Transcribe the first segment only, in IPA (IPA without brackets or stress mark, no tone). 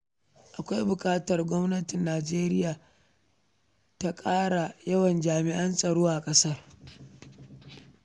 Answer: ʔ